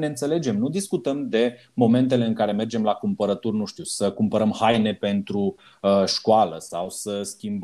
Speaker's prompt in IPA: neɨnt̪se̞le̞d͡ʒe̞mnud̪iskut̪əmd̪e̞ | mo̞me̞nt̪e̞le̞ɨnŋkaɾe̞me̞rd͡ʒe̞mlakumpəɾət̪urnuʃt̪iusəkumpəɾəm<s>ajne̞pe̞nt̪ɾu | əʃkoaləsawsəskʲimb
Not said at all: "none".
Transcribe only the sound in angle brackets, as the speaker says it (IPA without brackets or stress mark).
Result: h